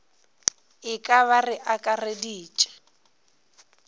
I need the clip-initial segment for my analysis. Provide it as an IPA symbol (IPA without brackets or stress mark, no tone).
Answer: ɪ